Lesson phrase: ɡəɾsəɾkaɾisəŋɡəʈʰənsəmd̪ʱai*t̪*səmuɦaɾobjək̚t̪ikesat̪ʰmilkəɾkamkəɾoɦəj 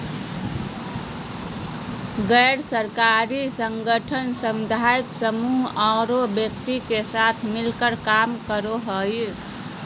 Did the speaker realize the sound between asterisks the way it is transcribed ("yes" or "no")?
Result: yes